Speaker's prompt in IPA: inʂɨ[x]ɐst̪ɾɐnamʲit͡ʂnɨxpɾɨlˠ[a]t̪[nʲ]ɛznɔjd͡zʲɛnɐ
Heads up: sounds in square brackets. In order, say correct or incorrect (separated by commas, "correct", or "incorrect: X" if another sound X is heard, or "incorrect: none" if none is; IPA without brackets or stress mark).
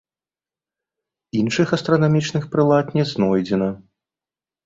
correct, correct, correct